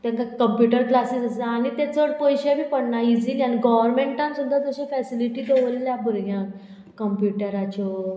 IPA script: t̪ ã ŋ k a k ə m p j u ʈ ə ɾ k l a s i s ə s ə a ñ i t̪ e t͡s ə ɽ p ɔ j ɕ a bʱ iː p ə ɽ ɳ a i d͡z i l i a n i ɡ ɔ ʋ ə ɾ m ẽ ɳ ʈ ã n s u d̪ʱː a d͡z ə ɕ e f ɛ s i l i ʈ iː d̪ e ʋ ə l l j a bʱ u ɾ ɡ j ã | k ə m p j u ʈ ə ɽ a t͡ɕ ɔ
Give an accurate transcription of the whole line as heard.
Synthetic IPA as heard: t̪ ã ŋ k a k ə m p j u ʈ ə ɾ k l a s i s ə s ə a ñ i t̪ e t͡s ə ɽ p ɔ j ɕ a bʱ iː p ə ɽ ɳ a i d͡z i l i a n i ɡ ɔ ʋ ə ɾ m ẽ ɳ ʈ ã n s u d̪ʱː a d͡z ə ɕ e f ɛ s i l i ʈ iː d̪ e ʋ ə l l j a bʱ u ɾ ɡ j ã | k ə m p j u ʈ ə ɾ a t͡ɕ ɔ